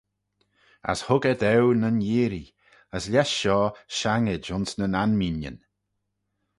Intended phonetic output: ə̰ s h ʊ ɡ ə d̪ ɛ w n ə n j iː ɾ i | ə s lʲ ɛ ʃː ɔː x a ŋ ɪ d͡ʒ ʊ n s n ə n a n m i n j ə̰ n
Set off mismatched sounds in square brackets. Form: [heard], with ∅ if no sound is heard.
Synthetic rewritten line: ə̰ s h ʊ ɡ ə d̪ ɛ w n ə n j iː ɾ i | ə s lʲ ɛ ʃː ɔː [ʃ] a ŋ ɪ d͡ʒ ʊ n s n ə n a n m i n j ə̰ n